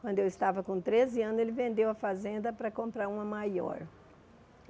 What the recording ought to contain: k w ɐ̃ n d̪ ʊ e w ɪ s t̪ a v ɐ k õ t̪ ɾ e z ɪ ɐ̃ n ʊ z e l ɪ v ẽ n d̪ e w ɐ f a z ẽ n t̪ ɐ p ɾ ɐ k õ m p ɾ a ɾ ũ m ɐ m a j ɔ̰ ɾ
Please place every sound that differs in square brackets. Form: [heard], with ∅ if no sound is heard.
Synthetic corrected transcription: k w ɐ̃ n d̪ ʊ e w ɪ s t̪ a v ɐ k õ t̪ ɾ e z ɪ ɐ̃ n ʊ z e l ɪ v ẽ n d̪ e w ɐ f a z ẽ n [d̪] ɐ p ɾ ɐ k õ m p ɾ a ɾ ũ m ɐ m a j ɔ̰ ɾ